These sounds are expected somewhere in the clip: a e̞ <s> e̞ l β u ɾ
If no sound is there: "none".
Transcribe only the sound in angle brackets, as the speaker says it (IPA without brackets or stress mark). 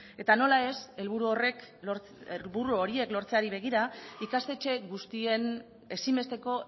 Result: s